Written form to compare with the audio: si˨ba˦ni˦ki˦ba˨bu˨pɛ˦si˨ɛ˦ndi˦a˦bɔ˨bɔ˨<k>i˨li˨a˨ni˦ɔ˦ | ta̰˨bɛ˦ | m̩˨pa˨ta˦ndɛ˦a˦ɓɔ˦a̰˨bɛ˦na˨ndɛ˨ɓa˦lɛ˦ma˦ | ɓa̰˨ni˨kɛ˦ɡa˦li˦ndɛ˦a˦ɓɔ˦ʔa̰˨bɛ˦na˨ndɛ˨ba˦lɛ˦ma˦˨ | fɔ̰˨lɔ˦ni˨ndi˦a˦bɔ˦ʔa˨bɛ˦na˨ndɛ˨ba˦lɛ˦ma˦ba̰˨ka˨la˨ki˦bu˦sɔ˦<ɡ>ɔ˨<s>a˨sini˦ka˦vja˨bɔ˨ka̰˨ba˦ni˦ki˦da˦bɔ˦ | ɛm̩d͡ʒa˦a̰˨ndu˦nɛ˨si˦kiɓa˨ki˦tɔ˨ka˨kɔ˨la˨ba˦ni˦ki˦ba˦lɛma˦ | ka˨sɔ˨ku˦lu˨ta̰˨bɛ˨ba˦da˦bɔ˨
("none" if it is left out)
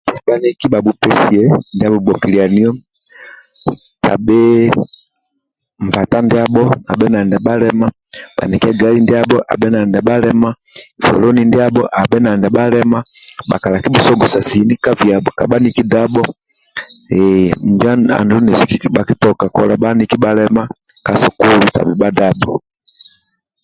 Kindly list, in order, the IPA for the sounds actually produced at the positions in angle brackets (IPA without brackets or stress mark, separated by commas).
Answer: k, ɡ, s